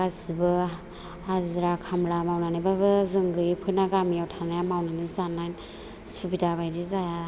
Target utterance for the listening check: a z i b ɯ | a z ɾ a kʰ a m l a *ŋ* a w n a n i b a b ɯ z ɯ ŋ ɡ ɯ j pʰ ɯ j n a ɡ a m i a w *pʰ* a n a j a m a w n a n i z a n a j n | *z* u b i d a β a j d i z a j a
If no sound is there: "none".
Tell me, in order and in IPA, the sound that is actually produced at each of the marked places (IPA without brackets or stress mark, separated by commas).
m, tʰ, s